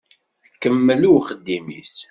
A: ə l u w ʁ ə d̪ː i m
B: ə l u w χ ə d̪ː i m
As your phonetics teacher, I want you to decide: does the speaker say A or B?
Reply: B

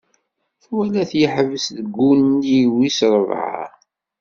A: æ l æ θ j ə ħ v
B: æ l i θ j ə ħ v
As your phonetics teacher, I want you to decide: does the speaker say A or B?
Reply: A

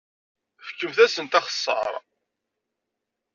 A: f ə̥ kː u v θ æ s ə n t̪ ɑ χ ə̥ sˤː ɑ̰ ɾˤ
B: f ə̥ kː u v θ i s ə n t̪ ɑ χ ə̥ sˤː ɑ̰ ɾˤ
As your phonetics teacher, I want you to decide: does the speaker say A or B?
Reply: A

